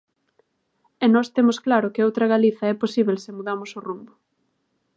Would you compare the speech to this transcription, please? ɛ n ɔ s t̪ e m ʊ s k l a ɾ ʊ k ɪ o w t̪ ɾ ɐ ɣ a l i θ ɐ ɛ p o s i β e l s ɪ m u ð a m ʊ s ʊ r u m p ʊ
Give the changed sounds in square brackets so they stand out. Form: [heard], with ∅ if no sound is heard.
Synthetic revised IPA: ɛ n ɔ s t̪ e m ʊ s k l a ɾ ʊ k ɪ o w t̪ ɾ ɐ ɣ a l i θ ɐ ɛ p o s i β e l s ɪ m u ð a m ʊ s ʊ r u m [b] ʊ